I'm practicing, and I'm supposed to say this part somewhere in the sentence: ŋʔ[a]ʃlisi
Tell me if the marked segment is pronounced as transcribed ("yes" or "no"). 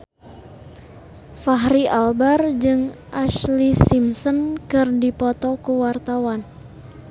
yes